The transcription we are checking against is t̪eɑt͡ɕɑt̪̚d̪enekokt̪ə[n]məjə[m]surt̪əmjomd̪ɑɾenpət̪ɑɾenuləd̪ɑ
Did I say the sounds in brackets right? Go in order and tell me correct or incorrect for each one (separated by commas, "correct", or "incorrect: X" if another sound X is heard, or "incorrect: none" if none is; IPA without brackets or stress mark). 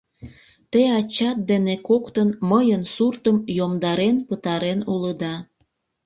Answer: correct, incorrect: n